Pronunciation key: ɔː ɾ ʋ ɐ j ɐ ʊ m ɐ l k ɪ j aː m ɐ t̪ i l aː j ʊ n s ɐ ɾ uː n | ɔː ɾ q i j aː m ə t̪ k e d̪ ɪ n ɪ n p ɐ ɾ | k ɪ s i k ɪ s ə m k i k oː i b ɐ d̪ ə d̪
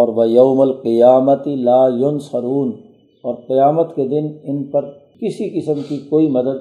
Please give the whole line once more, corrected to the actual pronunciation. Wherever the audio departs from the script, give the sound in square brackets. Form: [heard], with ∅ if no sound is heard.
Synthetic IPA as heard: ɔː ɾ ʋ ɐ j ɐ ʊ m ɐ l [q] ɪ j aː m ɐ t̪ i l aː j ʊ n s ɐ ɾ uː n | ɔː ɾ q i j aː m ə t̪ k e d̪ ɪ n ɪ n p ɐ ɾ | k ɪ s i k ɪ s ə m k i k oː i [m] ɐ d̪ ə d̪